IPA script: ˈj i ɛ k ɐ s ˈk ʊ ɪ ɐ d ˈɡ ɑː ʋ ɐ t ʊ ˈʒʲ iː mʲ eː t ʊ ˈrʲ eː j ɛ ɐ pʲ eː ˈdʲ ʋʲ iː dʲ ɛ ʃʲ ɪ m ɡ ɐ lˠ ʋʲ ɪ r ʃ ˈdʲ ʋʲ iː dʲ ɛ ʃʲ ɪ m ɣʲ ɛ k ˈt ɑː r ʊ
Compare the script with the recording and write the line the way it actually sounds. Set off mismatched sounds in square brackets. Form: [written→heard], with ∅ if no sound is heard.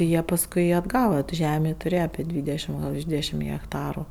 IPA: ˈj i ɛ [k→p] ɐ s ˈk ʊ ɪ ɐ d ˈɡ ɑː ʋ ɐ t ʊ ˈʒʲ [iː→æː] mʲ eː t ʊ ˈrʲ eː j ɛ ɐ pʲ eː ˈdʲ ʋʲ iː dʲ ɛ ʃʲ ɪ m ɡ ɐ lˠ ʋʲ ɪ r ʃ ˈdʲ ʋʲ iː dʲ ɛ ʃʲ ɪ m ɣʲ ɛ k ˈt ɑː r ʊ